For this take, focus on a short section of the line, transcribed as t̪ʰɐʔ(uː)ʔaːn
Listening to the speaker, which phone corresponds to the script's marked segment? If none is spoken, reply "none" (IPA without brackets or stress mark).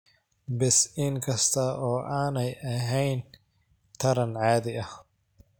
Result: ɔː